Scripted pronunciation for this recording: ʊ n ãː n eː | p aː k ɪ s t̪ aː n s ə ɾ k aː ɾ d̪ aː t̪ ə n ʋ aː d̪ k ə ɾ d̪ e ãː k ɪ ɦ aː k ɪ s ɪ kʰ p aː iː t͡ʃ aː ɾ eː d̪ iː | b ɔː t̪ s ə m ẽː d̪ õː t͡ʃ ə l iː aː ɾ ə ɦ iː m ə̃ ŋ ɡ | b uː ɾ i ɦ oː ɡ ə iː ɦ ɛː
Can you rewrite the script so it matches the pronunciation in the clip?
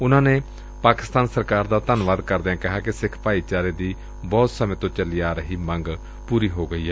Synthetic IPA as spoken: ʊ n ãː n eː | p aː k ɪ s t̪ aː n s ə ɾ k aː ɾ d̪ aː t̪ ə n ʋ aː d̪ k ə ɾ d̪ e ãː k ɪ ɦ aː k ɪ s ɪ kʰ p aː iː t͡ʃ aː ɾ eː d̪ iː | b ɔː t̪ s ə m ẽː t̪ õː t͡ʃ ə l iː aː ɾ ə ɦ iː m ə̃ ŋ ɡ | p uː ɾ iː ɦ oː ɡ ə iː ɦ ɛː